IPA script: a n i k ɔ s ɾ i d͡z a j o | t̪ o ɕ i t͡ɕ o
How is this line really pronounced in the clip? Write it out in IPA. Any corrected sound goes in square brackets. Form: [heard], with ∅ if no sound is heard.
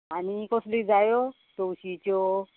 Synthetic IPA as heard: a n i k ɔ s [l] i d͡z a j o | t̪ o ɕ i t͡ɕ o